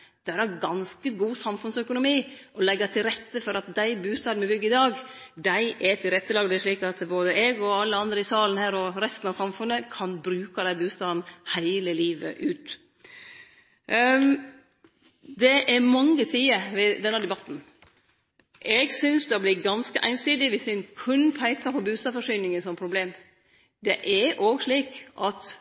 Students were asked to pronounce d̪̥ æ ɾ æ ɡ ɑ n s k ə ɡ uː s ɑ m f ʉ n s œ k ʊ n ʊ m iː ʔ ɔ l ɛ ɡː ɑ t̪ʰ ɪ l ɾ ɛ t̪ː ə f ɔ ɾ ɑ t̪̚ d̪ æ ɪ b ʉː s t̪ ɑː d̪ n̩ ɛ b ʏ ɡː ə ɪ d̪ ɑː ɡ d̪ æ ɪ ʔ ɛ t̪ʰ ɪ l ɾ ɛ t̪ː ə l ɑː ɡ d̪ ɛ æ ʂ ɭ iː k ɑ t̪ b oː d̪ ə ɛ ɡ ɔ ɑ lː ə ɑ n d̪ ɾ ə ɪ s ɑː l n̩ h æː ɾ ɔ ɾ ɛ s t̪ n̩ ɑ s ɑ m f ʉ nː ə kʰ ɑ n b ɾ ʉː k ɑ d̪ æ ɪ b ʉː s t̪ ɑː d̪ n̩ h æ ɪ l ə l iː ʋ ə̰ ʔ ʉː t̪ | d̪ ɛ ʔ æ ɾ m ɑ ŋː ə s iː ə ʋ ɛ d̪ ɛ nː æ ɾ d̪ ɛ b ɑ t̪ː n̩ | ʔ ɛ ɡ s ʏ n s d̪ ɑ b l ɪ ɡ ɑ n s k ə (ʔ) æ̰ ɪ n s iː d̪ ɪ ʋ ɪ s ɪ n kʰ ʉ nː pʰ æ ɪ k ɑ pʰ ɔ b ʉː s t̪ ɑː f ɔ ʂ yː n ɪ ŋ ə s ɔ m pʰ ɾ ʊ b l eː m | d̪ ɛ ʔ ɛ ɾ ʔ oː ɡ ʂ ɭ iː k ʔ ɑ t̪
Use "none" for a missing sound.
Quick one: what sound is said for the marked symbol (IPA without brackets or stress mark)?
ʔ